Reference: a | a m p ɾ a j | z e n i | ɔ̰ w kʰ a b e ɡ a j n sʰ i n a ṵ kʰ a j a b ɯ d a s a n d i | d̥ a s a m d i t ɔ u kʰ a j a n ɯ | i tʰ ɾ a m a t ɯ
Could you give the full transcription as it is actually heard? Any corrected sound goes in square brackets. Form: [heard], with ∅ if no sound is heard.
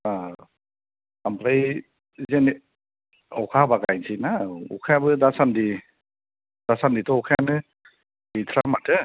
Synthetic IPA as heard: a | a m p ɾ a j | z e n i | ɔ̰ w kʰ a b [a] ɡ a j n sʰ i n a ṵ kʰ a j a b ɯ d a s a n d i | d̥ a s a [n] d i t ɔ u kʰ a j a n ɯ | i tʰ ɾ a m a t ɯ

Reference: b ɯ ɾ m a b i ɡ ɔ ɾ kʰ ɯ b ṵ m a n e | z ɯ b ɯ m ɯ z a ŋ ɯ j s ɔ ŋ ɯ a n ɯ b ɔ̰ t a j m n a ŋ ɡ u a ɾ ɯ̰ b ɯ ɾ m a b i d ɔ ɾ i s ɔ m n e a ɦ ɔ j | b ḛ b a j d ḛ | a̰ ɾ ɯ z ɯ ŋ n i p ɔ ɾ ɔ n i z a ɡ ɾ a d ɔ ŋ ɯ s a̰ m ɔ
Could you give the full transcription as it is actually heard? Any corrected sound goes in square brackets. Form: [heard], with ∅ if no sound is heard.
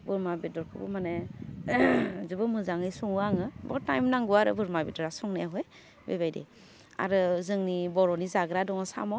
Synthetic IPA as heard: b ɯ ɾ m a b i [d] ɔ ɾ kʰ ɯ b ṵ m a n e | z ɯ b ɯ m ɯ z a ŋ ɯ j s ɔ ŋ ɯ a [ŋ] ɯ b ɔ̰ t a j m n a ŋ ɡ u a ɾ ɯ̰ b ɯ ɾ m a b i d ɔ ɾ [a] s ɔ [ŋ] n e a ɦ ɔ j | b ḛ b a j d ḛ | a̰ ɾ ɯ z ɯ ŋ n i [b] ɔ ɾ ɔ n i z a ɡ ɾ a d ɔ ŋ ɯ s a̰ m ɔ

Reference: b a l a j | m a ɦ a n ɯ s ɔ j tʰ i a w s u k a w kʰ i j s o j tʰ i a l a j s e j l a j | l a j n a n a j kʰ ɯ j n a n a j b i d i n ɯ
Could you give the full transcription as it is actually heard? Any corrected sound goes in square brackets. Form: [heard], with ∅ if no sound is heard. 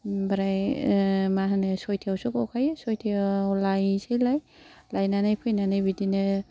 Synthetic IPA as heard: b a [ɾ] a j | m a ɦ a n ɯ s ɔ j tʰ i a w s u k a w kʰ [a] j s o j tʰ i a l a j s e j l a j | l a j n a n a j [pʰ] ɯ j n a n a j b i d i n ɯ

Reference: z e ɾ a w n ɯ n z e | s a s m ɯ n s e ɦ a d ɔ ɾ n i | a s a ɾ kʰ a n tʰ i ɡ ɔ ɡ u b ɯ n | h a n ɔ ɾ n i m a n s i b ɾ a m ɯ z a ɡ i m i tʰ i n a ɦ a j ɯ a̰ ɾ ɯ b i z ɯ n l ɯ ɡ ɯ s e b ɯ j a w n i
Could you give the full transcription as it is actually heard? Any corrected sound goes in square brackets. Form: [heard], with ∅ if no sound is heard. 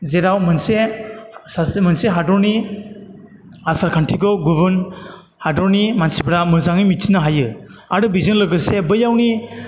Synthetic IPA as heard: z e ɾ a w [m] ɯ n [s] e | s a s m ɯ n s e ɦ a d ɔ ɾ n i | a s a ɾ kʰ a n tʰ i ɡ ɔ ɡ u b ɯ n | h a [d] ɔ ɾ n i m a n s i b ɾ a m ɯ z a [ŋ] i m i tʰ i n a ɦ a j ɯ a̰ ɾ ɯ b i z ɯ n l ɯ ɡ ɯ s e b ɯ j a w n i

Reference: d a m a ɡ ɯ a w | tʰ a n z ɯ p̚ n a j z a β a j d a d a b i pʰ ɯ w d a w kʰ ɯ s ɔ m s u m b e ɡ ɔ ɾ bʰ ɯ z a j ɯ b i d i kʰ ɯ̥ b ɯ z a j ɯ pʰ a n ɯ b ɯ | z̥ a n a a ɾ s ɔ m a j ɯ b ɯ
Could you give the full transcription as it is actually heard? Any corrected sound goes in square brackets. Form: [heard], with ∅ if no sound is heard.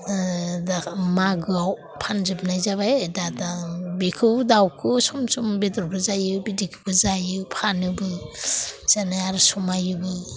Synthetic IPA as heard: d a m a ɡ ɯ a w | [pʰ] a n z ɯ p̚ n a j z a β a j d a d a b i [kʰ] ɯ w d a w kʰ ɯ s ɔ m s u m b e [d] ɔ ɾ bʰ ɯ z a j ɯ b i d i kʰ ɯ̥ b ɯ z a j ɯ pʰ a n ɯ b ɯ | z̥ a n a a ɾ s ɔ m a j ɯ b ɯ

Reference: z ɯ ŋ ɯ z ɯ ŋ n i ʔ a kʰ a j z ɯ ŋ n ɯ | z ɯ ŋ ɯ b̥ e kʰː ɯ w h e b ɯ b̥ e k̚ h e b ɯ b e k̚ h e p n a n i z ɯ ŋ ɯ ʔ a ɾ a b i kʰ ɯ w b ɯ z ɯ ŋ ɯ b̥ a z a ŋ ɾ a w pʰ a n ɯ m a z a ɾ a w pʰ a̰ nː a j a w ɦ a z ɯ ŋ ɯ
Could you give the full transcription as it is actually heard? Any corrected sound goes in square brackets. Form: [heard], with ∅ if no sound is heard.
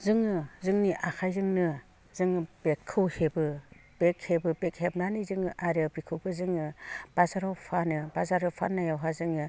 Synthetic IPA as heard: z ɯ ŋ ɯ z ɯ ŋ n i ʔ a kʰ a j z ɯ ŋ n ɯ | z ɯ ŋ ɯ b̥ e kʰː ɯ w h e b ɯ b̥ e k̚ h e b ɯ b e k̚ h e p n a n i z ɯ ŋ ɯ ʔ a ɾ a b i kʰ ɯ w b ɯ z ɯ ŋ ɯ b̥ a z a [∅] ɾ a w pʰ a n ɯ [b] a z a ɾ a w pʰ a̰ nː a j a w ɦ a z ɯ ŋ ɯ

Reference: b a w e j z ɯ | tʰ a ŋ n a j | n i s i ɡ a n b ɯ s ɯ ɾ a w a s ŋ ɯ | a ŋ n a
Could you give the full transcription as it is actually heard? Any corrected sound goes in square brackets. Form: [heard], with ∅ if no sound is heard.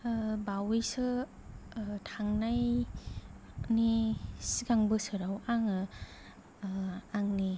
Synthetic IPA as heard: b a w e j [s] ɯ | tʰ a ŋ n a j | n i s i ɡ a [ŋ] b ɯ s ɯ ɾ a w a [∅] ŋ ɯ | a ŋ n [i]

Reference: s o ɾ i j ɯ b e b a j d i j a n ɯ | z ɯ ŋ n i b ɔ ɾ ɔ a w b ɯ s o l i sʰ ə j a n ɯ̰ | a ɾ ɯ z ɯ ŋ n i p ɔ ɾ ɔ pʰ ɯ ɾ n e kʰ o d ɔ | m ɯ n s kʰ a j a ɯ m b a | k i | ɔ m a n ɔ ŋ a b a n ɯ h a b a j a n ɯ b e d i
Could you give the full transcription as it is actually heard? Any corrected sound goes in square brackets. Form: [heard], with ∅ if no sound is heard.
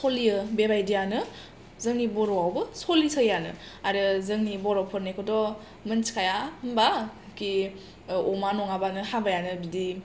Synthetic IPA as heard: s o [l] i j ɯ b e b a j d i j a n ɯ | z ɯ ŋ n i b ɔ ɾ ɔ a w b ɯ s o l i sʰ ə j a n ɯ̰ | a ɾ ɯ z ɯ ŋ n i [b] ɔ ɾ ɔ pʰ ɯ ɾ n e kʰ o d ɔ | m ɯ n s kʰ a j a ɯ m b a | k i | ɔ m a n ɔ ŋ a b a n ɯ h a b a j a n ɯ b [i] d i

